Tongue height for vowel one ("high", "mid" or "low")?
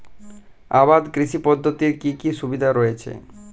low